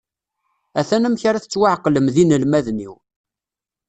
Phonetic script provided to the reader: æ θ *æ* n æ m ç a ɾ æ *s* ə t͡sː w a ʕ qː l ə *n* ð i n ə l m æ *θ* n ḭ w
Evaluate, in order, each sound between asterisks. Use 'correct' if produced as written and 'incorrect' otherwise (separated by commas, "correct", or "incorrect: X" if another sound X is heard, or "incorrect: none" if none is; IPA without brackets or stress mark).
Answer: correct, incorrect: θ, incorrect: m, incorrect: ð